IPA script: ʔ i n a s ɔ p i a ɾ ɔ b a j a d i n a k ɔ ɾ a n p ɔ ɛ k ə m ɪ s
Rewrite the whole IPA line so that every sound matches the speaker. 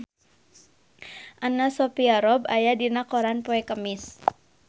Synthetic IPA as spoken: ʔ a n a s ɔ p i a ɾ ɔ b a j a d i n a k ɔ ɾ a n p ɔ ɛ k ə m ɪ s